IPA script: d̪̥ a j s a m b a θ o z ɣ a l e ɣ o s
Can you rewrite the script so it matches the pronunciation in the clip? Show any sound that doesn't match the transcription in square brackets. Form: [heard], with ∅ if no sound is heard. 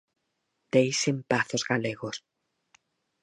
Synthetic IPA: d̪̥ [e] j s [e] m [p] a θ o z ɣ a l e ɣ o s

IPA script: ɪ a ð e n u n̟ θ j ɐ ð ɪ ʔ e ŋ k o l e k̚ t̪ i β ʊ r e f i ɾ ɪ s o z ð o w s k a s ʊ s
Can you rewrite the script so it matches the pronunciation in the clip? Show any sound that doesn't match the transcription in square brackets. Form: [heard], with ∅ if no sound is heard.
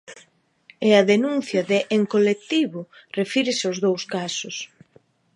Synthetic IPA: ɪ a ð e n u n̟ θ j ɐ ð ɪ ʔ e ŋ k o l e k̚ t̪ i β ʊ r e f i ɾ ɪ s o z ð o w s k a s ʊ s

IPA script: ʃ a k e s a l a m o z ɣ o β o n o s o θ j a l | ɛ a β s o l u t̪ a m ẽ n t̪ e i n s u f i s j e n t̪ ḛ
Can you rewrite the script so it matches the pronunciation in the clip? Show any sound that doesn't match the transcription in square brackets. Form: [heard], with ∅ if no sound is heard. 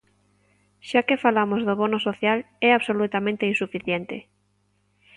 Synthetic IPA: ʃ a k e [f] a l a m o z [ð] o β o n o s o θ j a l | ɛ a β s o l u t̪ a m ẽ n t̪ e i n s u f i [θ] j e n t̪ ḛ

